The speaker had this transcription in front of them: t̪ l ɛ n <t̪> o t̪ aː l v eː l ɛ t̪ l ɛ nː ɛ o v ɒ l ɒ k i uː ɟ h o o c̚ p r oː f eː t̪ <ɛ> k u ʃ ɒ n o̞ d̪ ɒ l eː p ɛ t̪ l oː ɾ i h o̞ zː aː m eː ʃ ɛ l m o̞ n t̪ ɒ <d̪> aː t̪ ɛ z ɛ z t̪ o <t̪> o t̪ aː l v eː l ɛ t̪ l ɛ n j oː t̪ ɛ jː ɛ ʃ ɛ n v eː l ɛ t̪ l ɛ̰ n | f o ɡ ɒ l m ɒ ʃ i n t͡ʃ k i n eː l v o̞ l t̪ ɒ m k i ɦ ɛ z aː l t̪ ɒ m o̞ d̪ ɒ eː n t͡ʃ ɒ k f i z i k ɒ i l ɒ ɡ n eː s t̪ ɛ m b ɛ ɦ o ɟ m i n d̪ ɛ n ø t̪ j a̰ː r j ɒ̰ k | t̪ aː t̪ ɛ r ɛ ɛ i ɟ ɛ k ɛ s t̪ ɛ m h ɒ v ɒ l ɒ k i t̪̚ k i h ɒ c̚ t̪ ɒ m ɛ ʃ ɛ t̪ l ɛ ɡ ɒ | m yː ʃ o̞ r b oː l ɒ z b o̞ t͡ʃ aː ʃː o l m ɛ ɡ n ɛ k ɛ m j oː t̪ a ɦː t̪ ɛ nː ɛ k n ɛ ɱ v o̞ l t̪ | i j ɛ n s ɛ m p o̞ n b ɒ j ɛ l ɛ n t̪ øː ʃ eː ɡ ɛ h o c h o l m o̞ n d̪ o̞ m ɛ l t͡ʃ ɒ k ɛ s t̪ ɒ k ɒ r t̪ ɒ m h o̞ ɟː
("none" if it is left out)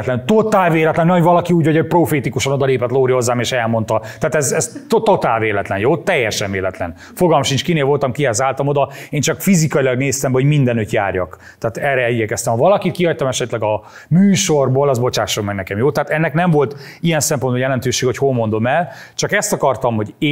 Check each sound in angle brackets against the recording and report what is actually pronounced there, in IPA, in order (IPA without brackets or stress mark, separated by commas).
t̪, i, t̪, t̪